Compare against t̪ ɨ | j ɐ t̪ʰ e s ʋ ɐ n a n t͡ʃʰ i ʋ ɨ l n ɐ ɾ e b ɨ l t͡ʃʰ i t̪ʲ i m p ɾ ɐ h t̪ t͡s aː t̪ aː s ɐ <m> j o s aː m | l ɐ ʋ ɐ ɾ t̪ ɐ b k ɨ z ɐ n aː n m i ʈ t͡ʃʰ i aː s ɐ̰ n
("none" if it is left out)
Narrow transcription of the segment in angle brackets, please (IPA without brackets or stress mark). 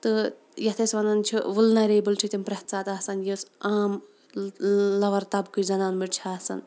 n